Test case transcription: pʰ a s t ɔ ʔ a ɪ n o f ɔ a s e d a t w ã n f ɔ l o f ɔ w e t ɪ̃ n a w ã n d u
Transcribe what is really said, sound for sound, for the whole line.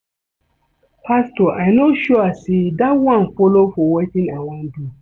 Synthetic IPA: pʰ a s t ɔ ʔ a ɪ n o ʃ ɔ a s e d a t w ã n f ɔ l o f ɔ w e t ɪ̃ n a w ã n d u